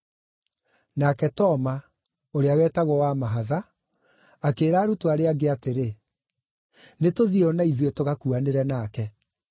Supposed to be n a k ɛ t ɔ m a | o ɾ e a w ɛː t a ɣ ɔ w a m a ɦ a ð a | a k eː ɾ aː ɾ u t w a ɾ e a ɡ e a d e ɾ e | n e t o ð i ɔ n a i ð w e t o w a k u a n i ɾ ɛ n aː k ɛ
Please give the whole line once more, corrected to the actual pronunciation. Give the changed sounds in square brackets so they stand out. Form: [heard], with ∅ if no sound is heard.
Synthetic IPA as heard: n a k ɛ t ɔ m a | o ɾ e a w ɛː t a ɣ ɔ w a m a ɦ a ð a | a k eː ɾ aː ɾ u t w a ɾ e a ɡ e a [t] e ɾ e | n e t o ð i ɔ n a i ð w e t o [ɣ] a k u a n [e] ɾ ɛ n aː k ɛ